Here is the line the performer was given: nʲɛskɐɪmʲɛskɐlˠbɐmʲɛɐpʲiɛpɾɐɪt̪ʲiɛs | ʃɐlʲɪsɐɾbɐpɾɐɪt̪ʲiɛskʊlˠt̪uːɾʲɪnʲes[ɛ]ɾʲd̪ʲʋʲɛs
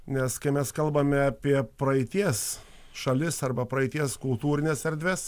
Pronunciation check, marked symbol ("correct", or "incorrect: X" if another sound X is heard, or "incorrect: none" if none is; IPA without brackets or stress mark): correct